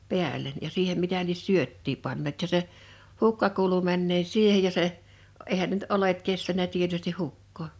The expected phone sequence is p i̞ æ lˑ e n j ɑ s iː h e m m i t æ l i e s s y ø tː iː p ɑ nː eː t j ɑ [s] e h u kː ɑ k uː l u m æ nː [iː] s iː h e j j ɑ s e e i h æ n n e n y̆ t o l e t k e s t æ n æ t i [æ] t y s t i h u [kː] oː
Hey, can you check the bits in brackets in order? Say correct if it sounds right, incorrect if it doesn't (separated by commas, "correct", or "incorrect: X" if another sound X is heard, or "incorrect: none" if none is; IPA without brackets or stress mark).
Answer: correct, incorrect: eː, incorrect: e, correct